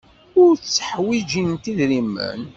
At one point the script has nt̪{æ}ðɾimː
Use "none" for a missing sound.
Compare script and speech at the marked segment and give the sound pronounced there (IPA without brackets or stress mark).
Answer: i